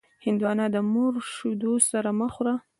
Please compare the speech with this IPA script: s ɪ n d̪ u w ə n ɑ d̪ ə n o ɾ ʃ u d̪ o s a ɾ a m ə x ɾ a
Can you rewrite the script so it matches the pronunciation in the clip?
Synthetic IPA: h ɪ n d̪ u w ɑ n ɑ d̪ ə m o ɾ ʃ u d̪ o s a ɾ a m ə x ɾ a